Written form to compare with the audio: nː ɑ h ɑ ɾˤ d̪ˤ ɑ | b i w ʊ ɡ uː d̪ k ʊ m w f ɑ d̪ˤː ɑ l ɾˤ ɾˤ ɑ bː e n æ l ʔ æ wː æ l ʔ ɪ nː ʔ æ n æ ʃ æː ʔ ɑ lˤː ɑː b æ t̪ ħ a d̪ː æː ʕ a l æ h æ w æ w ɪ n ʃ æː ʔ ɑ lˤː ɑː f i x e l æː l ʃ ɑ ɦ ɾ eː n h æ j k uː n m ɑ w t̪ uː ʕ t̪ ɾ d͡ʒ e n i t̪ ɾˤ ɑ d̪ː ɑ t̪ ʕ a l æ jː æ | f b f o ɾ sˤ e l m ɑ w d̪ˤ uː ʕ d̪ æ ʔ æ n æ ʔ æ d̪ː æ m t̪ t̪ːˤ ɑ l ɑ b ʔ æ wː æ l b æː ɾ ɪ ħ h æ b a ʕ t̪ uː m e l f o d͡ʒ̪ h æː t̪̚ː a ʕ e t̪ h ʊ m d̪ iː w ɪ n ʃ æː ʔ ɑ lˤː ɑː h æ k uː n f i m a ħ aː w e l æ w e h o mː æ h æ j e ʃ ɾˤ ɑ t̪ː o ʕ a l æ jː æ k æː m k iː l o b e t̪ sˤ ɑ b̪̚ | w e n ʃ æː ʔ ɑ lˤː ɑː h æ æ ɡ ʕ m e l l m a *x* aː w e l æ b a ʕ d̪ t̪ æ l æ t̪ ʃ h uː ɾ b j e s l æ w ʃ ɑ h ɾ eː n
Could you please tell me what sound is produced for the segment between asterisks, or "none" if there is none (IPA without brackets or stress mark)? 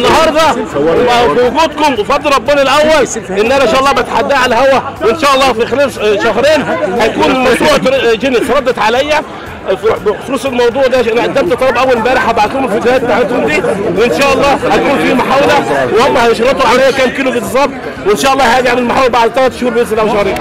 ħ